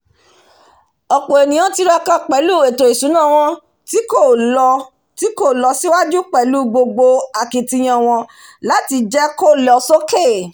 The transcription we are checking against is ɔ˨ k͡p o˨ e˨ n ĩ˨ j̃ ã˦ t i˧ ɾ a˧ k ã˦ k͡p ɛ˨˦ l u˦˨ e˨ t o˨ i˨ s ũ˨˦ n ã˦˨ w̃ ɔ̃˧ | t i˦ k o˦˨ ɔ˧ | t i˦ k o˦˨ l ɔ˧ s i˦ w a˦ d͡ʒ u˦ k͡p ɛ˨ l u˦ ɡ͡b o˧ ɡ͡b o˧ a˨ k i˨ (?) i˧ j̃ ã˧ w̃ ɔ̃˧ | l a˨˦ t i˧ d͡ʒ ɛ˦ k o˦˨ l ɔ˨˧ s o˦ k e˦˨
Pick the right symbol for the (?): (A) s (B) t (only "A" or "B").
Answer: B